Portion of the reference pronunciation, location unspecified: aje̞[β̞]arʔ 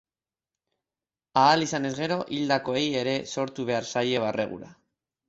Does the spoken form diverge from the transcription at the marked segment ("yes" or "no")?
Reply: no